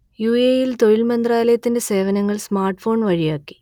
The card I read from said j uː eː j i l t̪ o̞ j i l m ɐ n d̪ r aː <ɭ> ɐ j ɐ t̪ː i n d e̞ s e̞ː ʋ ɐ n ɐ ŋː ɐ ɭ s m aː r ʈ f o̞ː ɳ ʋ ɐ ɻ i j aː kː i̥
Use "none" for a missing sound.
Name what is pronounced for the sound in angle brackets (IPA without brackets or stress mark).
l